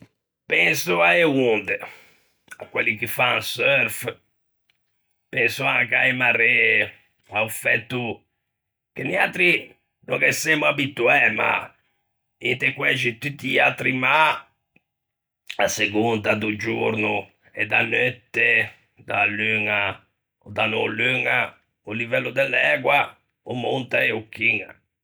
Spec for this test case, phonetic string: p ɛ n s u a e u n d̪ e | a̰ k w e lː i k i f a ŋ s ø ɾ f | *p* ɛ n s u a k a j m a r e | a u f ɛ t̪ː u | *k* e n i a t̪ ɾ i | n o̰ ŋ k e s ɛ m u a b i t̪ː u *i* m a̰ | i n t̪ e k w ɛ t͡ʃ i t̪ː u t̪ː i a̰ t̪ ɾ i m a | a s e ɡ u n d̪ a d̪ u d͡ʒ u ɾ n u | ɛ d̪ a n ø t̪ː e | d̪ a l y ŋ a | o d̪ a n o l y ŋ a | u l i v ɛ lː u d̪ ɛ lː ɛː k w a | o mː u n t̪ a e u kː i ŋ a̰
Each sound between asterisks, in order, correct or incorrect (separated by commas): correct, correct, incorrect